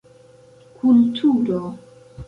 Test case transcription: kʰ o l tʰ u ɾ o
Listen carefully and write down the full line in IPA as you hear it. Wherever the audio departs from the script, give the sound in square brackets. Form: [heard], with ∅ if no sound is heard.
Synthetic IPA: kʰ [u] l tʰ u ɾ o

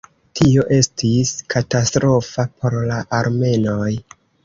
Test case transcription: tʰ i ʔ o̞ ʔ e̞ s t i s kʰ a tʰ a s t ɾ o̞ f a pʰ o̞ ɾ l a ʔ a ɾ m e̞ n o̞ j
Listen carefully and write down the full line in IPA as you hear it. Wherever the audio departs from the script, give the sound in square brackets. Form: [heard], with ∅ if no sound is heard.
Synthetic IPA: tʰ i [∅] o̞ ʔ e̞ s t i s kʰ a [t] a s t ɾ o̞ f a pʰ o̞ ɾ l a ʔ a ɾ m e̞ n o̞ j

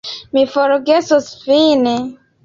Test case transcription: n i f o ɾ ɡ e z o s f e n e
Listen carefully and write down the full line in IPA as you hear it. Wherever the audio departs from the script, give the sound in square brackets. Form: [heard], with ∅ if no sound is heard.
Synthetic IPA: [m] i f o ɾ ɡ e [s] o s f [i] n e

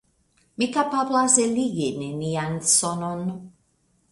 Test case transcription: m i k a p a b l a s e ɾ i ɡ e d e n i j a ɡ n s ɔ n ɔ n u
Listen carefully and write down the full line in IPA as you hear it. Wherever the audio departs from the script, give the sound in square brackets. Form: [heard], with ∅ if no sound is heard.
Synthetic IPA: m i k a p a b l a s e [l] i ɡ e [n] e n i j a [∅] n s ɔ n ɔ n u

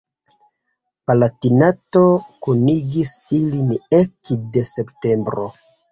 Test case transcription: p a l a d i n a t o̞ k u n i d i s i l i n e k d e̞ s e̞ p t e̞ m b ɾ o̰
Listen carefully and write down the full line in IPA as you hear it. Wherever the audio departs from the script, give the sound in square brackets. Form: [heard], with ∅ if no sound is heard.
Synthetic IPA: p a l a [t] i n a t o̞ k u n i [ɡ] i s i l i n e k d e̞ s e̞ p t e̞ m b ɾ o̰

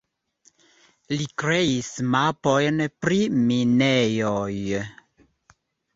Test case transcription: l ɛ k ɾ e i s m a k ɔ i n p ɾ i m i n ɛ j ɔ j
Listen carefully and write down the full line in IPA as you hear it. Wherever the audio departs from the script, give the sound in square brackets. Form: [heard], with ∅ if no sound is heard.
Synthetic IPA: l [i] k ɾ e i s m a [p] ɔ [j] n p ɾ i m i n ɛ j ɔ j

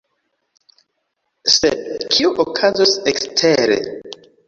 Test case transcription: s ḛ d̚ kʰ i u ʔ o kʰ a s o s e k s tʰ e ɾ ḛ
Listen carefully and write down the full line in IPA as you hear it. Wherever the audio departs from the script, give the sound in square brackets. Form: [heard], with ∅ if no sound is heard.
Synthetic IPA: s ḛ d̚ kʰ i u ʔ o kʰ a [z] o s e k s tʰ e ɾ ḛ

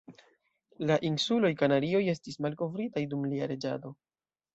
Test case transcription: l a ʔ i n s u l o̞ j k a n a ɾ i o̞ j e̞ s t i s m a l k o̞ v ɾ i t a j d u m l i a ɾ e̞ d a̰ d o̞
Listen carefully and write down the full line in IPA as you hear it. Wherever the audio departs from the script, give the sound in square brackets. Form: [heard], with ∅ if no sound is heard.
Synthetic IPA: l a ʔ i n s u l o̞ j k a n a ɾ i o̞ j e̞ s t i s m a l k o̞ v ɾ i t a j d u m l i a ɾ e̞ [d͡ʒ] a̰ d o̞

